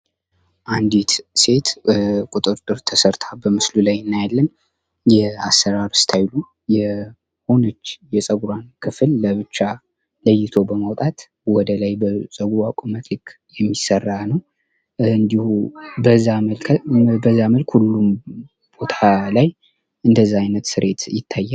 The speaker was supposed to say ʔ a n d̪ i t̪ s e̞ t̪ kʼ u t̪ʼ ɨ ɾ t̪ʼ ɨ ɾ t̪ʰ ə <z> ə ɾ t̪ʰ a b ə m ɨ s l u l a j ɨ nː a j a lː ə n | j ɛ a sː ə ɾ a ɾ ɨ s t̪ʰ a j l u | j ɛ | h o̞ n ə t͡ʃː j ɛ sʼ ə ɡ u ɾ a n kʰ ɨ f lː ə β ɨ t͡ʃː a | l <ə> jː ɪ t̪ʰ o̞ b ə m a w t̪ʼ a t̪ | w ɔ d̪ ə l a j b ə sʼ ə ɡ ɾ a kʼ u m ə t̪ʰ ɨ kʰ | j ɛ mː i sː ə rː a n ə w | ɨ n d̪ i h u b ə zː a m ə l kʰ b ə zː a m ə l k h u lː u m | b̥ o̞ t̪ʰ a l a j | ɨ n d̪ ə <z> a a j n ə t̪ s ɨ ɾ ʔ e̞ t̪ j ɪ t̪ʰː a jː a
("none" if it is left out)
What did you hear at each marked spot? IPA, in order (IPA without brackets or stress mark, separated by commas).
s, ə, zː